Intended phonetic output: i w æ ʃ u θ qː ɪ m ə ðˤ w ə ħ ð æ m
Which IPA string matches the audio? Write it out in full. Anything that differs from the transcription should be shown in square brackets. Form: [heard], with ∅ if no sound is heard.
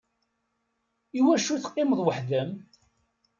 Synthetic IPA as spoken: i w æ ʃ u θ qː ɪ m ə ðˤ w ə ħ ð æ m